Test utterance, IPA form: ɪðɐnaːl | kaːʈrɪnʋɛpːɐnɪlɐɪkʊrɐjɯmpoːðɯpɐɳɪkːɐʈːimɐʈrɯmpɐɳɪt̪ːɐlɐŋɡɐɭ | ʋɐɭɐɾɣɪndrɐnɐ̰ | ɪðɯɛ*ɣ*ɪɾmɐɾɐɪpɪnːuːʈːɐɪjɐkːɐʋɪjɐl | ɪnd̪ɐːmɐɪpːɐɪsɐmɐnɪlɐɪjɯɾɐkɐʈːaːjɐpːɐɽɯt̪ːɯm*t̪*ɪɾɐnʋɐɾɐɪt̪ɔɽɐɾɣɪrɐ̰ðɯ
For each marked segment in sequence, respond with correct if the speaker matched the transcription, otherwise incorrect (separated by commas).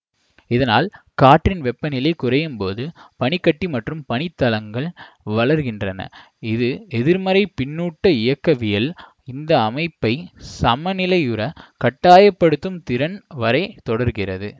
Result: incorrect, correct